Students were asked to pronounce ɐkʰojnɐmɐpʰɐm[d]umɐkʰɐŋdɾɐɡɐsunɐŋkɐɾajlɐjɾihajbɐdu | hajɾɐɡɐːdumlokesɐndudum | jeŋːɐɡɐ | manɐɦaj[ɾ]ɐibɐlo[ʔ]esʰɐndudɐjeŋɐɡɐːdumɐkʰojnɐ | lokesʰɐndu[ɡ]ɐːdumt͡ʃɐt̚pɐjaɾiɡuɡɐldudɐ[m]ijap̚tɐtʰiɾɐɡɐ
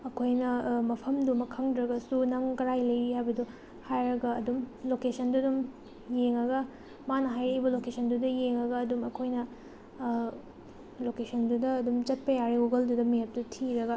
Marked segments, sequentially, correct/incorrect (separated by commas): correct, correct, incorrect, incorrect, correct